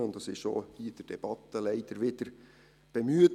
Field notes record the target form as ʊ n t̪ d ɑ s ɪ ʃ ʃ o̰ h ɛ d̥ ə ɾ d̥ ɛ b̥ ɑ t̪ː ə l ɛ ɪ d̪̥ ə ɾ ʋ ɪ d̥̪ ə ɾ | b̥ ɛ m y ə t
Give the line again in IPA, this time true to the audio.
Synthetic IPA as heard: ʊ n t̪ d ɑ s ɪ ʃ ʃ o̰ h i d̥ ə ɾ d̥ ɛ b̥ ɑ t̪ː ə l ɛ ɪ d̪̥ ə ɾ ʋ ɪ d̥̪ ə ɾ | b̥ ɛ m y ə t